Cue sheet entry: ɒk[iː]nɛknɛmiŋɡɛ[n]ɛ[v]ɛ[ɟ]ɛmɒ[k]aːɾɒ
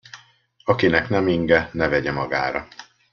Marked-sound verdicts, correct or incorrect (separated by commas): incorrect, correct, correct, correct, incorrect